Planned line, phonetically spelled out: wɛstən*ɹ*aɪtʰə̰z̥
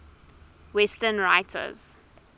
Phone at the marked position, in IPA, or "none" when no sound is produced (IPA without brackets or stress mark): ɹ